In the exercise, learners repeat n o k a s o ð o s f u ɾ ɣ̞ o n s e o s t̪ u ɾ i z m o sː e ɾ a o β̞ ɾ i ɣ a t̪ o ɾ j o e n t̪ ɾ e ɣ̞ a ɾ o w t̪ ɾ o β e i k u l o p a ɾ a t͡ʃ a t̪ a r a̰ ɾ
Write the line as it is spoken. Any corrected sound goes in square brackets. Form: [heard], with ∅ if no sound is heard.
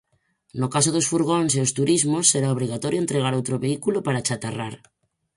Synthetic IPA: n o k a s o ð o s f u ɾ ɣ̞ o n s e o s t̪ u ɾ i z m o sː e ɾ a o β̞ ɾ i ɣ a t̪ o ɾ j o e n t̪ ɾ e ɣ̞ a ɾ o w t̪ ɾ o β e i k u l o p a ɾ a t͡ʃ a t̪ a r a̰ ɾ